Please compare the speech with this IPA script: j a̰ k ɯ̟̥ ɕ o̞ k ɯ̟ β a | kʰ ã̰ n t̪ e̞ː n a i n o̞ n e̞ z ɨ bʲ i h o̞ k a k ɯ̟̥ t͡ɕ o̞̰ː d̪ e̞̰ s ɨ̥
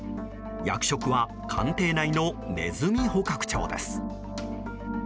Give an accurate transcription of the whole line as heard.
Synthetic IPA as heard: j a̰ k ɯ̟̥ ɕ o̞ k ɯ̟ β a | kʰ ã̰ n t̪ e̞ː n a i n o̞ n e̞ z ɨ mʲ i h o̞ k a k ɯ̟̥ t͡ɕ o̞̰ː d̪ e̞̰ s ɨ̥